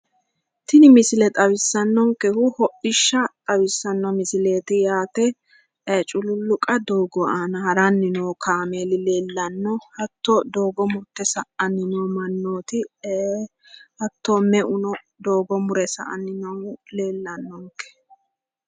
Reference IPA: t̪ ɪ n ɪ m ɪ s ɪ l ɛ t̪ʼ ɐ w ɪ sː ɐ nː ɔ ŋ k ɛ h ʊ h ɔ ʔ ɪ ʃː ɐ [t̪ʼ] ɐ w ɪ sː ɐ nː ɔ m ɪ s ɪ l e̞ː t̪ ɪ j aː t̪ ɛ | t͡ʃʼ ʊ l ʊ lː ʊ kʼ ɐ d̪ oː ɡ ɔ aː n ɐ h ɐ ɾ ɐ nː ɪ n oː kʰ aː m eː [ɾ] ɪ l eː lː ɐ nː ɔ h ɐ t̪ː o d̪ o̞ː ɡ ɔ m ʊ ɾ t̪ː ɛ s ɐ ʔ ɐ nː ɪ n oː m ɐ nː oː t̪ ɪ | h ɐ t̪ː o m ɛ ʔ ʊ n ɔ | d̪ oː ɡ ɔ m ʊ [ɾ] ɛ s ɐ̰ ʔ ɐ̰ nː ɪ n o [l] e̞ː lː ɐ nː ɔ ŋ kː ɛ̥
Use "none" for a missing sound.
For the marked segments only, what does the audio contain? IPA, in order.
t̪ʼ, l, ɾ, l

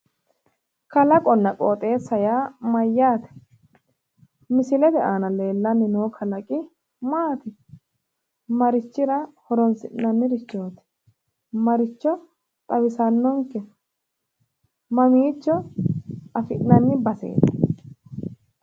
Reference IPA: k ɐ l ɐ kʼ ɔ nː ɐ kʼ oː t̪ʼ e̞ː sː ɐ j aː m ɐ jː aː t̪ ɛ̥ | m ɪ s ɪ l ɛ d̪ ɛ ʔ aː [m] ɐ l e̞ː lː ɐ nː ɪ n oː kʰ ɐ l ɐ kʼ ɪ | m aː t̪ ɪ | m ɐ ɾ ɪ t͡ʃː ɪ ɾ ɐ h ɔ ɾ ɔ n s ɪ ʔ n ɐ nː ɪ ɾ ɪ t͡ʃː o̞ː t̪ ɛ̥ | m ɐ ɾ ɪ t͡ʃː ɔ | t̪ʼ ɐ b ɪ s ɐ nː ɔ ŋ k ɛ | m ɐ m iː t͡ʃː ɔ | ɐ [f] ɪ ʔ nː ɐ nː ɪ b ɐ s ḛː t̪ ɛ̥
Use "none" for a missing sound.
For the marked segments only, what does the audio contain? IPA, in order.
n, f

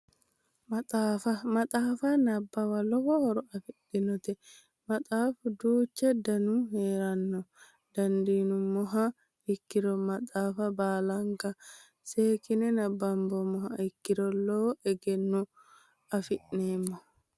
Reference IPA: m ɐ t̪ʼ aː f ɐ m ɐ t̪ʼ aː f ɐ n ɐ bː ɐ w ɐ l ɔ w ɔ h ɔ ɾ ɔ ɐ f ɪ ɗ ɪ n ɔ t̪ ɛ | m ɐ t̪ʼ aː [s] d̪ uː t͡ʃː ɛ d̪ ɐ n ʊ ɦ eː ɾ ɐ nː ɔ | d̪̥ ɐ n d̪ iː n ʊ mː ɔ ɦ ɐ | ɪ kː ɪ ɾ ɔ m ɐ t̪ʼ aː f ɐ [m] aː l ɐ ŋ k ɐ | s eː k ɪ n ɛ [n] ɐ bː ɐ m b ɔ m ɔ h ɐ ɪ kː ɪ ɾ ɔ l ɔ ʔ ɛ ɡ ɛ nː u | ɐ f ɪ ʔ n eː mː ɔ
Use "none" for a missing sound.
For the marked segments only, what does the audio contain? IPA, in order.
f, b, n

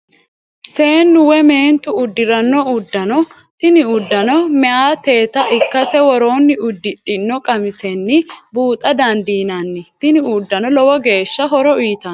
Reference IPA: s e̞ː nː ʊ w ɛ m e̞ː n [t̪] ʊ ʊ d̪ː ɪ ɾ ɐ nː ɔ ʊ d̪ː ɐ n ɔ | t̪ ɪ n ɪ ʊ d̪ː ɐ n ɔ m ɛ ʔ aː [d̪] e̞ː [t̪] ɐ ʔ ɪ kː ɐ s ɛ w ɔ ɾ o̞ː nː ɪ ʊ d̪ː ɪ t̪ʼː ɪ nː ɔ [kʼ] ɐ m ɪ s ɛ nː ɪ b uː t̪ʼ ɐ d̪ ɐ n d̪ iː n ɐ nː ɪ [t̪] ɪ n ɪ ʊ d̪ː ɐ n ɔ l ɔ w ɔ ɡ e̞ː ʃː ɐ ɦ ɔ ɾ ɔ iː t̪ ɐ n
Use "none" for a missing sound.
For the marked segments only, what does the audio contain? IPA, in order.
t̪, t̪, t̪, kʼ, t̪

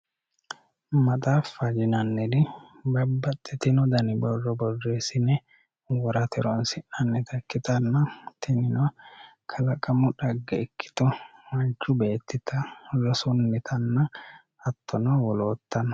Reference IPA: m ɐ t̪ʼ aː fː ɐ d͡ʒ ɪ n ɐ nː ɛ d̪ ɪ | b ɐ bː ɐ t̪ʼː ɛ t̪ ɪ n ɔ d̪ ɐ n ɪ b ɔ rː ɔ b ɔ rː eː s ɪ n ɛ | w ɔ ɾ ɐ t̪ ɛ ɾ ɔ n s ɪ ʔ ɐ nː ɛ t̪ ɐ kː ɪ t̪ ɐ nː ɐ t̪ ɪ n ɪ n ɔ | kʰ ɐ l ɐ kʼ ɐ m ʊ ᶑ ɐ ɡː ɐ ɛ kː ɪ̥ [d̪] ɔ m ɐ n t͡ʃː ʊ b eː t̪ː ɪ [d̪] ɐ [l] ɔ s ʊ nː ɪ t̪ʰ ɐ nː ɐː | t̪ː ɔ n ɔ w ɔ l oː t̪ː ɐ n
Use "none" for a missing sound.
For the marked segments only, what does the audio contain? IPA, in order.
t̪, t̪, l

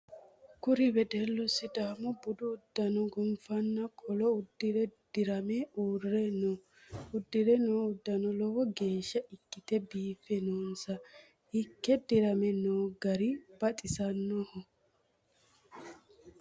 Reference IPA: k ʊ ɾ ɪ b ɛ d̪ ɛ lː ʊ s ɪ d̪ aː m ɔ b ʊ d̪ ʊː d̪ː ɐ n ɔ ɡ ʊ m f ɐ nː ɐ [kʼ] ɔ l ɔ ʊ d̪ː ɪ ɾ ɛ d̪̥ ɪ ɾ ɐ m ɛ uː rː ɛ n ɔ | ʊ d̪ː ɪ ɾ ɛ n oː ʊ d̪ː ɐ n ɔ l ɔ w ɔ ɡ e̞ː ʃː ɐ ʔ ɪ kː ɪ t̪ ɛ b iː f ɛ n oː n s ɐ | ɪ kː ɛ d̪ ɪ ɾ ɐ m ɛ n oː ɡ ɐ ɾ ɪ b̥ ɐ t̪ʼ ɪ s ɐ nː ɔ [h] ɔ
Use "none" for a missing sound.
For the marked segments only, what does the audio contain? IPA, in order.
kʼ, h

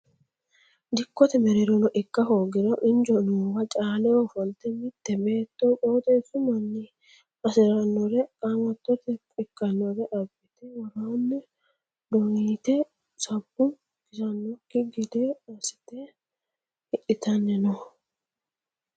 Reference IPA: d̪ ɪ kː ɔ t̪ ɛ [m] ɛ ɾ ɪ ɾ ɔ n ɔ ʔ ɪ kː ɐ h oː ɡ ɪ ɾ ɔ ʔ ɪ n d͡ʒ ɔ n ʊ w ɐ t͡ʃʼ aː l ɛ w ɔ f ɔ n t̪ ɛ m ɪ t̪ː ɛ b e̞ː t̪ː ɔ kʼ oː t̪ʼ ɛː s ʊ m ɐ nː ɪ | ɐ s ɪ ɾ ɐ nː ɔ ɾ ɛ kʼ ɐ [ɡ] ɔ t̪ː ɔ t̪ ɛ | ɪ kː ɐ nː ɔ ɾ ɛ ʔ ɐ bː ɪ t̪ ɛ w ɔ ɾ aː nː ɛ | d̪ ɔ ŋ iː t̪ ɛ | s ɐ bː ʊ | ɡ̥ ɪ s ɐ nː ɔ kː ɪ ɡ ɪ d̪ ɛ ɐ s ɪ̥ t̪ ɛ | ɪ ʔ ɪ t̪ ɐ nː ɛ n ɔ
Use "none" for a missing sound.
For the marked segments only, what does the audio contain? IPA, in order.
m, ŋ

